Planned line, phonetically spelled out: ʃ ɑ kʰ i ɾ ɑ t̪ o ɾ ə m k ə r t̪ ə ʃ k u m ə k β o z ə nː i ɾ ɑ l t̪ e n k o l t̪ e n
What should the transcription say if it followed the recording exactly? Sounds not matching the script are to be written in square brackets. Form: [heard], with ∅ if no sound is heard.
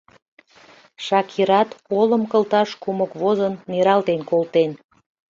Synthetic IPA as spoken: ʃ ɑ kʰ i ɾ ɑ t̪ o [l] ə m k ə [l] t̪ [ɑ] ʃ k u m ə k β o z ə nː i ɾ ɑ l t̪ e n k o l t̪ e n